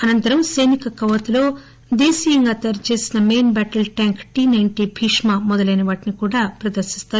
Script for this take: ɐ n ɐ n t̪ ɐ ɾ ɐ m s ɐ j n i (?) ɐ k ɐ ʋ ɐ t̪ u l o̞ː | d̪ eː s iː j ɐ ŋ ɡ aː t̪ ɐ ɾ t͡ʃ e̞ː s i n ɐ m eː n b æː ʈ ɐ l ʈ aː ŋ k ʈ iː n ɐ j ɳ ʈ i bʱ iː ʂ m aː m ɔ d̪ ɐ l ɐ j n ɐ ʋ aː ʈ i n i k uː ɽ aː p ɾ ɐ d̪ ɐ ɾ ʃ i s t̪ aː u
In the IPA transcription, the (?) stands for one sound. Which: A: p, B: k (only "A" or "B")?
B